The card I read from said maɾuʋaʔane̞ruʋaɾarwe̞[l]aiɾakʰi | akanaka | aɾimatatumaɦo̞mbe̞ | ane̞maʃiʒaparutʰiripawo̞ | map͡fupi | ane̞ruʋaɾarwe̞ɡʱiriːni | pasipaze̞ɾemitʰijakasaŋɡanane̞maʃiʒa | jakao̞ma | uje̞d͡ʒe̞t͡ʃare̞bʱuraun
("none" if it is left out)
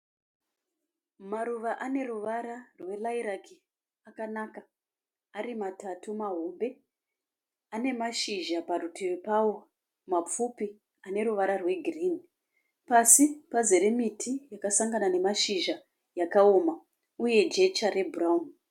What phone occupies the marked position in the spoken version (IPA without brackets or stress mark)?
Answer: l